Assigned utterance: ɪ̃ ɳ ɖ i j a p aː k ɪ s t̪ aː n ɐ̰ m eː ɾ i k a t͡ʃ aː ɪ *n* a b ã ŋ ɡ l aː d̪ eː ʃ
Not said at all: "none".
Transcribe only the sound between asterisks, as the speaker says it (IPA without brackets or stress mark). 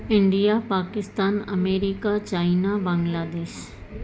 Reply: n